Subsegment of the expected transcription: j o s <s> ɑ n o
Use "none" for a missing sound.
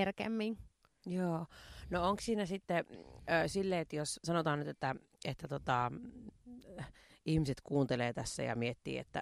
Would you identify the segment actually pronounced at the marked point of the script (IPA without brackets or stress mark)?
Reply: s